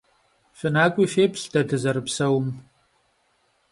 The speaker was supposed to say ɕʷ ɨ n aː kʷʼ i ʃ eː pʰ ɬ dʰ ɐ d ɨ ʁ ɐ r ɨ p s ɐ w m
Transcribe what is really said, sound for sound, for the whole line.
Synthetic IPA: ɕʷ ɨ n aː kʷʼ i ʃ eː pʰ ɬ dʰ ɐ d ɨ z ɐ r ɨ p s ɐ w m